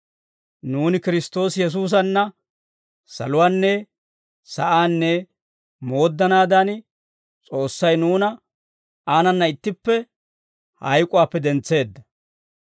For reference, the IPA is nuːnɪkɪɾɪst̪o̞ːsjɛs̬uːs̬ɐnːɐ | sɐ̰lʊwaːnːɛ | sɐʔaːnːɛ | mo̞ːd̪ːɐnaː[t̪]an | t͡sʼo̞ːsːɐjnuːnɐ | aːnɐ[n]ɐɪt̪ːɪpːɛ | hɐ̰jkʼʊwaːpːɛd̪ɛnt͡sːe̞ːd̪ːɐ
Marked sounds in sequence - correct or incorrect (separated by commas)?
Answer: incorrect, incorrect